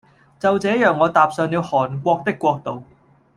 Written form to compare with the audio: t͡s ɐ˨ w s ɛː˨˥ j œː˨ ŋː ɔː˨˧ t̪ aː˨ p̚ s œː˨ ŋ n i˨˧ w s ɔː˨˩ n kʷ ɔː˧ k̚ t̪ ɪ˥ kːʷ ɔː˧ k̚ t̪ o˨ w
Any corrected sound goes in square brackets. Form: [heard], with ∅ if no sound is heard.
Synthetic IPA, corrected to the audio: t͡s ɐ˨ w [t͡s] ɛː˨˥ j œː˨ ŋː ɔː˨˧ t̪ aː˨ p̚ s œː˨ ŋ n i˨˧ w [h] ɔː˨˩ n kʷ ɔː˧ k̚ t̪ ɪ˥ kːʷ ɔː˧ k̚ t̪ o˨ w